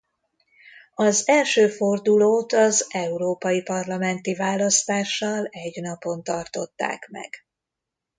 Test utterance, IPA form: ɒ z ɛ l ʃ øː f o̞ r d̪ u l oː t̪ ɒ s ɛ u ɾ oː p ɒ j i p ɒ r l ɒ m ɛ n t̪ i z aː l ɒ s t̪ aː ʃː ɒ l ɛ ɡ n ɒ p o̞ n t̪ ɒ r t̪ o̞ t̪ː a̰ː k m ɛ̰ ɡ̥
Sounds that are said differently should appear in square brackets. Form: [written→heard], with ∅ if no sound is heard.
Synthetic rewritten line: ɒ z ɛ l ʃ øː f o̞ r d̪ u l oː t̪ ɒ [s→z] ɛ u ɾ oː p ɒ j i p ɒ r l ɒ m ɛ n t̪ i [z→v] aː l ɒ s t̪ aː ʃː ɒ l ɛ [ɡ→ɟ] n ɒ p o̞ n t̪ ɒ r t̪ o̞ t̪ː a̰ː k m ɛ̰ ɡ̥